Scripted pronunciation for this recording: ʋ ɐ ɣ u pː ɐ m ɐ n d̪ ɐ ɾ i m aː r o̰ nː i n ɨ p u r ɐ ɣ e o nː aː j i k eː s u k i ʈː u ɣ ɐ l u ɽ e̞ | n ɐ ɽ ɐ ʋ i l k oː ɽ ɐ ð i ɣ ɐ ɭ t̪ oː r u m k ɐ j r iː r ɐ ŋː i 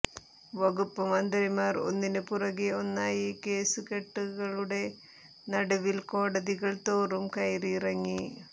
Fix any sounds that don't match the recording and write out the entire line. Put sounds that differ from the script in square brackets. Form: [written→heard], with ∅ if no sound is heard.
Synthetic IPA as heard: ʋ ɐ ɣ u pː ɐ m ɐ n d̪ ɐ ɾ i m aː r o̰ nː i n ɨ p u r ɐ ɣ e o nː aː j i k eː s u k [i→e] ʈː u ɣ ɐ [l→ɭ] u ɽ e̞ | n ɐ ɽ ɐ ʋ i l k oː ɽ ɐ ð i ɣ ɐ ɭ t̪ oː r u m k ɐ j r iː r ɐ ŋː i